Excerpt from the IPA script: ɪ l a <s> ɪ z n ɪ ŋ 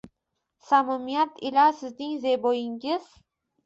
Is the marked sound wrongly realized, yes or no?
no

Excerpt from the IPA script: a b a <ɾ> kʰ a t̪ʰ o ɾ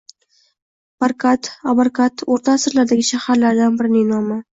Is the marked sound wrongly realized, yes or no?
no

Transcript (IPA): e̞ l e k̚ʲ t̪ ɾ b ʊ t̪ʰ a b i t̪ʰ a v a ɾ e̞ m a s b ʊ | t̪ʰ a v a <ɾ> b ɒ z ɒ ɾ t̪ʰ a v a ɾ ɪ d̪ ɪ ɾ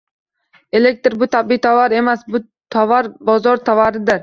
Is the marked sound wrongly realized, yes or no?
no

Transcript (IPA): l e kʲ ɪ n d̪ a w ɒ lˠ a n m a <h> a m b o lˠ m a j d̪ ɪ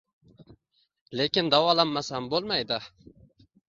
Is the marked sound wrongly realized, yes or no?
yes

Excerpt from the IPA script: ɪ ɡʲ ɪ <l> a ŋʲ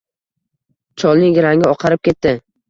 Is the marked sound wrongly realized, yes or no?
yes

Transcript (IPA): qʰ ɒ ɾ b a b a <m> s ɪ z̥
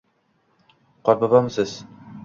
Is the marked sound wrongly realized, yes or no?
no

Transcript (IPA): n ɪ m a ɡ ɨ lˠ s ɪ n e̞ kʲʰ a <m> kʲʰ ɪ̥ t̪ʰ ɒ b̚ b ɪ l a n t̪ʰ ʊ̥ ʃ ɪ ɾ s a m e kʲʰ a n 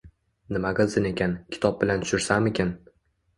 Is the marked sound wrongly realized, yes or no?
yes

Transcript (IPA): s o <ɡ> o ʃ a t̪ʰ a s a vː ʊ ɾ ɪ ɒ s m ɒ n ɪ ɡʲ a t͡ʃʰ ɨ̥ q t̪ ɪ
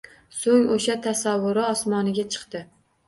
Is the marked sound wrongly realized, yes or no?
yes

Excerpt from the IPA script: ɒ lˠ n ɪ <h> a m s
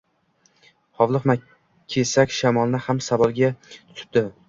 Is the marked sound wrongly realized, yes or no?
no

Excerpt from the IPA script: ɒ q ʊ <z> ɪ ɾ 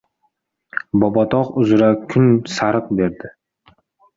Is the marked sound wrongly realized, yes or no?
no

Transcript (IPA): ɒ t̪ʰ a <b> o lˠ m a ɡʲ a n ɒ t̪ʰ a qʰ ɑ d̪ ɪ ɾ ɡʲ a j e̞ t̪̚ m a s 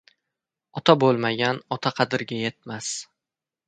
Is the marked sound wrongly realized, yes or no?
no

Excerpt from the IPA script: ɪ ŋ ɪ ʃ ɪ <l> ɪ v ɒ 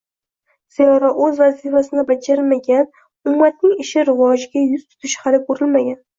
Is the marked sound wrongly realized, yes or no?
yes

